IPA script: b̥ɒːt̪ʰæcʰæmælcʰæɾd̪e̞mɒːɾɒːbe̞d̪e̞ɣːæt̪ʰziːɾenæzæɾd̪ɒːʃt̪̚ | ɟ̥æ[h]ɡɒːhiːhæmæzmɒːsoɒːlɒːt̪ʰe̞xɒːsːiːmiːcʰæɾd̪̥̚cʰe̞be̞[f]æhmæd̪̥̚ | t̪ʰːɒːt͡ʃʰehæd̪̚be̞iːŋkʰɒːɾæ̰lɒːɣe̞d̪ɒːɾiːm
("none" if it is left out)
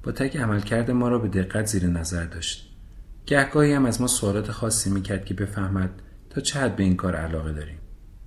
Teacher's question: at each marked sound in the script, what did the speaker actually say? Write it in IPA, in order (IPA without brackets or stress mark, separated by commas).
h, f